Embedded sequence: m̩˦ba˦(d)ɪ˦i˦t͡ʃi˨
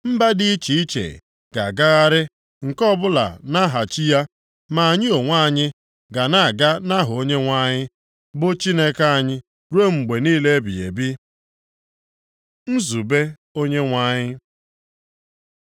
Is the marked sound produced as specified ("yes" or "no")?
yes